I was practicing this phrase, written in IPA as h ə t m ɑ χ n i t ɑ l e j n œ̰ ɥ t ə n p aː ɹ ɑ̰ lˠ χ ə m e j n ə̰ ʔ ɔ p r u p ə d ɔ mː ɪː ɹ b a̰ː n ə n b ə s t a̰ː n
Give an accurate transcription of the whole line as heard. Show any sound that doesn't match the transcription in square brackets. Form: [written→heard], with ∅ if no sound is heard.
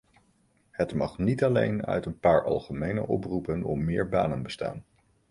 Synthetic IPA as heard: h ə t m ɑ χ n i t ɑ l e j n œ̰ ɥ t ə n p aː ɹ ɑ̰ lˠ χ ə m e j n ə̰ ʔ ɔ p r u p ə [d→n] ɔ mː ɪː ɹ b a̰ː n ə n b ə s t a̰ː n